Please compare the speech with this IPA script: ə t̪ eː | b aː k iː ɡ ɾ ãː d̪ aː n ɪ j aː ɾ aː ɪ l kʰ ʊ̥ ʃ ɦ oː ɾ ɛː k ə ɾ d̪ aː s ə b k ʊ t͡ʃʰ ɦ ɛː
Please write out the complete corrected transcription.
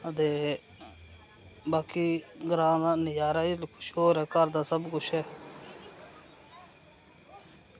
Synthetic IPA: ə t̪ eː | b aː k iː ɡ ɾ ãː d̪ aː n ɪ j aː ɾ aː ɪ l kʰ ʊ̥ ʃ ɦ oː ɾ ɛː k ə ɾ d̪ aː s ə b k ʊ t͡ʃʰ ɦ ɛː